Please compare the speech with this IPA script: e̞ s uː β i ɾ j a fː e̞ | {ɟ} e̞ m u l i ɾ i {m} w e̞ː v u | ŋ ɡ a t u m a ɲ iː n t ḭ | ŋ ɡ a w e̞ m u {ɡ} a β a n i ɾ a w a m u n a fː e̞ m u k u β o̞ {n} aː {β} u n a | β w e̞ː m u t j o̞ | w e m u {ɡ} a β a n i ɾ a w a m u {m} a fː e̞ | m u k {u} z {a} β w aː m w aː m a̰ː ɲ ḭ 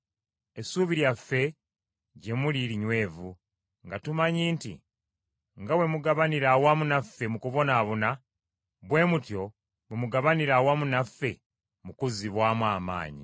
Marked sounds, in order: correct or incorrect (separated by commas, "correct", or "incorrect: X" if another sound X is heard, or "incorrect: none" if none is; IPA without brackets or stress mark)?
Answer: correct, incorrect: ɲ, correct, correct, correct, correct, incorrect: n, correct, incorrect: i